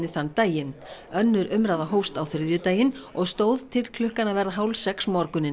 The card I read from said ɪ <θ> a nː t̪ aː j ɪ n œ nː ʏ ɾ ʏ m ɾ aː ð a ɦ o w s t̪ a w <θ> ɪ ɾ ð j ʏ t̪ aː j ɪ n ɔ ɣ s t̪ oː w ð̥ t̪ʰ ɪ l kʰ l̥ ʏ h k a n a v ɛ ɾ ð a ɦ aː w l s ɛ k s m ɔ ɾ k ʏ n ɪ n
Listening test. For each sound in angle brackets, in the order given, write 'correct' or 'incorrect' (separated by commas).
correct, correct